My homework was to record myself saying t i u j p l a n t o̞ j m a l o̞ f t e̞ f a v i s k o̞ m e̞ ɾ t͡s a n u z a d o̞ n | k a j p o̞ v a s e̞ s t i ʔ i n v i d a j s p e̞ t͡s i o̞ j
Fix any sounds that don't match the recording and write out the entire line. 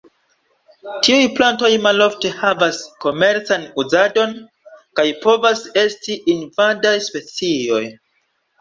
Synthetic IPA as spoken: t i u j p l a n t o̞ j m a l o̞ f t e̞ h a v a s k o̞ m e̞ ɾ t͡s a n u z a d o̞ n | k a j p o̞ v a s e̞ s t i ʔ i n v a d a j s p e̞ t͡s i o̞ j